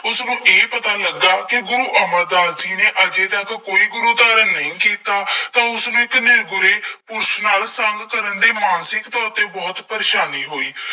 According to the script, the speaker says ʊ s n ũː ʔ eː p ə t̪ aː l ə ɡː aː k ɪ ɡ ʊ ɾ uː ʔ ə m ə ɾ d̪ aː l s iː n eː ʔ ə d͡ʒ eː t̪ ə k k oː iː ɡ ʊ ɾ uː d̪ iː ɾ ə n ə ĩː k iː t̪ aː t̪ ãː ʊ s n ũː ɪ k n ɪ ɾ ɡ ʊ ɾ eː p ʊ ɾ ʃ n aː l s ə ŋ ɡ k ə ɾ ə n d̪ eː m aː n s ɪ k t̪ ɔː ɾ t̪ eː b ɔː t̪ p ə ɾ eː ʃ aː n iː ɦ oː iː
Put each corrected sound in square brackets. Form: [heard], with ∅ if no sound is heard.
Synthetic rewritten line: ʊ s n ũː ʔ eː p ə t̪ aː l ə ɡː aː k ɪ ɡ ʊ ɾ uː ʔ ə m ə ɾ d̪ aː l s iː n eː ʔ ə d͡ʒ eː t̪ ə k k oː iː ɡ ʊ ɾ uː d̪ [aː] ɾ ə n ə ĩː k iː t̪ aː t̪ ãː ʊ s n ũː ɪ k n ɪ ɾ ɡ ʊ ɾ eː p ʊ ɾ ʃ n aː l s ə ŋ ɡ k ə ɾ ə n d̪ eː m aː n s ɪ k t̪ ɔː ɾ t̪ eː b ɔː t̪ p ə ɾ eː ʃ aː n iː ɦ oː iː

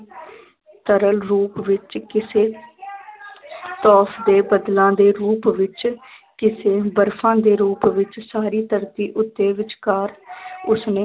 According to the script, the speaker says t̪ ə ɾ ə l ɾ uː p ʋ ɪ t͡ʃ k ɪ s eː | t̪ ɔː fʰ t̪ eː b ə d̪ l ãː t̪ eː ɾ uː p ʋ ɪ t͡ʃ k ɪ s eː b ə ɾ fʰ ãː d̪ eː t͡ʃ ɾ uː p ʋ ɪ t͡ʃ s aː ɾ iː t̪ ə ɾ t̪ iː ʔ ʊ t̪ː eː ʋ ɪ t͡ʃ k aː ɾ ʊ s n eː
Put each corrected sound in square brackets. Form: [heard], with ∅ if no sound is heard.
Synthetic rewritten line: t̪ ə ɾ ə l ɾ uː p ʋ ɪ t͡ʃ k ɪ s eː | t̪ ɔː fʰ [d̪] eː b ə d̪ l ãː [d̪] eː ɾ uː p ʋ ɪ t͡ʃ k ɪ s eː b ə ɾ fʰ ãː d̪ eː [∅] ɾ uː p ʋ ɪ t͡ʃ s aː ɾ iː t̪ ə ɾ t̪ iː ʔ ʊ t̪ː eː ʋ ɪ t͡ʃ k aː ɾ ʊ s n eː

